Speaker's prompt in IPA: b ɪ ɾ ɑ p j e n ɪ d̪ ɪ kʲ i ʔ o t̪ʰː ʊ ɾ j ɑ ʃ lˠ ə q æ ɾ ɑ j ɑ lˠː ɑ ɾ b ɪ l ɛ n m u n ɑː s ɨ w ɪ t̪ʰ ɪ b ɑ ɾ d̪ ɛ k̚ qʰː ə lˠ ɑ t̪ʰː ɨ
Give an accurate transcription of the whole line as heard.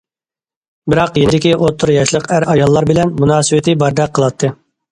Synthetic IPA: b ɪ ɾ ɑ q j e n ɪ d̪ ɪ kʲ i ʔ o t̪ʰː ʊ ɾ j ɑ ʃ lˠ ə q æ ɾ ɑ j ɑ lˠː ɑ ɾ b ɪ l ɛ n m u n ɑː s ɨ w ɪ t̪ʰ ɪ b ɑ ɾ d̪ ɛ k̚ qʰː ə lˠ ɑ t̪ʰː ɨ